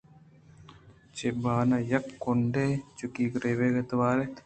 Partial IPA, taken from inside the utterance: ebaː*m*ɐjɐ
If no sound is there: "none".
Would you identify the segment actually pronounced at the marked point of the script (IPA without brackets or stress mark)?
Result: n